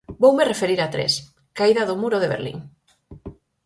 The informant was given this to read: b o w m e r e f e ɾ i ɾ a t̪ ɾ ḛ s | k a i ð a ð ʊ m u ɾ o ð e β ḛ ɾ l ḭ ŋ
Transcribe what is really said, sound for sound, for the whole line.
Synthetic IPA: b o w m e r e f e ɾ i ɾ a t̪ ɾ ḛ s | k a i ð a ð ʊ m u ɾ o ð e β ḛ ɾ l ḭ ŋ